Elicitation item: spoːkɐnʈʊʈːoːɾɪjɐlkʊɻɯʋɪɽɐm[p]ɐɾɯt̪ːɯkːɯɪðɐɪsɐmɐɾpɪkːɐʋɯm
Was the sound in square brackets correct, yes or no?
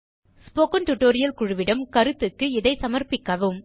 no